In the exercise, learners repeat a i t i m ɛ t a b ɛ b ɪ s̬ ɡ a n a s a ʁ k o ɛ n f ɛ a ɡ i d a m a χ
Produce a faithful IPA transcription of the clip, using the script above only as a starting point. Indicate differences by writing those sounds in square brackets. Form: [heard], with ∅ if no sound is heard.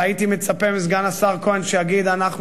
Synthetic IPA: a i t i m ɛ [t͡s] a [p] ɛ [m] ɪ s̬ ɡ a n a s a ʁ k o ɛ n [ʃ] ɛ a ɡ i d a [n] a χ